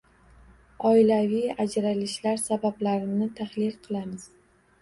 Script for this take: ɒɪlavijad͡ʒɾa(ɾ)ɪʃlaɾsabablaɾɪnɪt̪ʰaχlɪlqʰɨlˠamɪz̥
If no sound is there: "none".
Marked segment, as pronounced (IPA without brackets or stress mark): l